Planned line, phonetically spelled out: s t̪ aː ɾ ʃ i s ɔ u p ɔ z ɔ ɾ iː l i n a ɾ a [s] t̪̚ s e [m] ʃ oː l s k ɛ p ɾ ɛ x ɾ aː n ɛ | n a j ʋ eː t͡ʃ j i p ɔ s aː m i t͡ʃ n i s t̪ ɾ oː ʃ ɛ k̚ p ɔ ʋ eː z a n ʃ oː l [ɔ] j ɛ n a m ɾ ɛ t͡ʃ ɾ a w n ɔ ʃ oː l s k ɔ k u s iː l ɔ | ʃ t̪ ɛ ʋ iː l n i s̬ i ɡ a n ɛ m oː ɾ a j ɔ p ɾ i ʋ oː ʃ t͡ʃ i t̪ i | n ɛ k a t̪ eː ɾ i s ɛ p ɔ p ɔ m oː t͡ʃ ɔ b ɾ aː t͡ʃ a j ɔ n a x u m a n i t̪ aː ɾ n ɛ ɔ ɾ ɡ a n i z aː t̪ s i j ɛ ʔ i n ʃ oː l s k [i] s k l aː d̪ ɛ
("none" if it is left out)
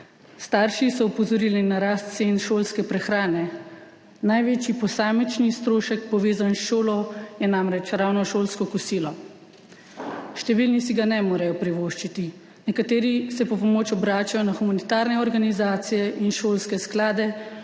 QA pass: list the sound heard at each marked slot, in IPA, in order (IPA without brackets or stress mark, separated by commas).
s, n, ɔ, ɛ